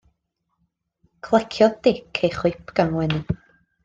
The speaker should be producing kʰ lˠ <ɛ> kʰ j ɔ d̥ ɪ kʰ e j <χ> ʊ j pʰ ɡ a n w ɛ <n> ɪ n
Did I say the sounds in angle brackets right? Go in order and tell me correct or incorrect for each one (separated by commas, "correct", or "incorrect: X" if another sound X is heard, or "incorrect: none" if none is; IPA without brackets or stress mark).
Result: correct, correct, correct